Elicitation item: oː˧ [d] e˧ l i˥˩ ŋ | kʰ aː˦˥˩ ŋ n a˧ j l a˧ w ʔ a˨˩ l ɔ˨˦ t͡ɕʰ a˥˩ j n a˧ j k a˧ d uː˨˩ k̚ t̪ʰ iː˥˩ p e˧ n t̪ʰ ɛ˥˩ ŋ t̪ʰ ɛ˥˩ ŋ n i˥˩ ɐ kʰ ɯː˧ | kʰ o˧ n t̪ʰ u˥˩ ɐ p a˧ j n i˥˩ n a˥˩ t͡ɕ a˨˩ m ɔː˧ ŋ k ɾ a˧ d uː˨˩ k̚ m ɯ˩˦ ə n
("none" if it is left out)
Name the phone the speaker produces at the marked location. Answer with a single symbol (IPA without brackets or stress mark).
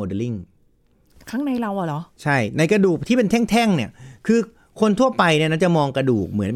d